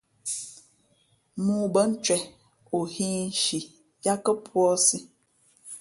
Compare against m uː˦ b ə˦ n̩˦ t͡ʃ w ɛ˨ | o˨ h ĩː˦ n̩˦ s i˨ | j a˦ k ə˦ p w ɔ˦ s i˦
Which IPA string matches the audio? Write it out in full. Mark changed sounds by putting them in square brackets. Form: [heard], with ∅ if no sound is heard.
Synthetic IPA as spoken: m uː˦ b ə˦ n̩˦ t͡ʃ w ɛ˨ | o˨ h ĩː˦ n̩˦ [ʃ] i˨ | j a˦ k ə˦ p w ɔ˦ s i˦